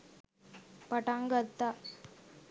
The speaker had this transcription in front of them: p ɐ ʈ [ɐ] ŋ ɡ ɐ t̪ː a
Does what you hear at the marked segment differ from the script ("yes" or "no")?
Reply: yes